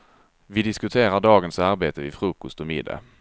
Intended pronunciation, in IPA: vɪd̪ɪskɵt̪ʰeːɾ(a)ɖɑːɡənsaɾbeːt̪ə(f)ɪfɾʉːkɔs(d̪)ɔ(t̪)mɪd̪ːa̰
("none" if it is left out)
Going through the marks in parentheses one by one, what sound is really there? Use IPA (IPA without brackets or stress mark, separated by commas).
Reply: a, v, t̪, none